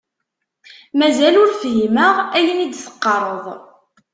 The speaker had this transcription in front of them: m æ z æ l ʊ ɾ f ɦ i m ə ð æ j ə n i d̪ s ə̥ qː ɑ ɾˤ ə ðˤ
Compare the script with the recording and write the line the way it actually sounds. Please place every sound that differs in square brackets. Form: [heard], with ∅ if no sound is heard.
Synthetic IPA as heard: m æ z æ l ʊ ɾ f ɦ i m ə [ʁ] æ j ə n i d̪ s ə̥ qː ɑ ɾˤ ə ðˤ